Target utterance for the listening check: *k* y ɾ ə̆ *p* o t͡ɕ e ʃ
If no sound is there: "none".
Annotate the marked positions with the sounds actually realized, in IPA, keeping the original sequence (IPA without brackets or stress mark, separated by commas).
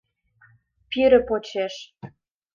p, p